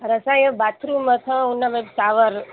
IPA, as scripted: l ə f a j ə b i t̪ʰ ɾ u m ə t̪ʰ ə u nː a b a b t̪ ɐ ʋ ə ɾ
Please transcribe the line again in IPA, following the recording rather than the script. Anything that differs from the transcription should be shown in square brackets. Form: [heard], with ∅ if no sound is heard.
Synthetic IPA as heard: [ɾ] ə [s] a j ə b [a] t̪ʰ ɾ u m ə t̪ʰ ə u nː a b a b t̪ [a] ʋ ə ɾ